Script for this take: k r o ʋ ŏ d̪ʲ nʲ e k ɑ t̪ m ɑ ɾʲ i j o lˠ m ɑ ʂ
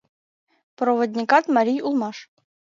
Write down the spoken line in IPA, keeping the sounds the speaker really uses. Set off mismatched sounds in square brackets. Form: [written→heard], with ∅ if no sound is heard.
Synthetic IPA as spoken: [k→p] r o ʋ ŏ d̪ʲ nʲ [e→i] k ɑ t̪ m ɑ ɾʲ i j [o→u] lˠ m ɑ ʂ